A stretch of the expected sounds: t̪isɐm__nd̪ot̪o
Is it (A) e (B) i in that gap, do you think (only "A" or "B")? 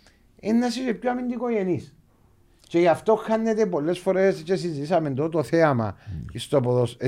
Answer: A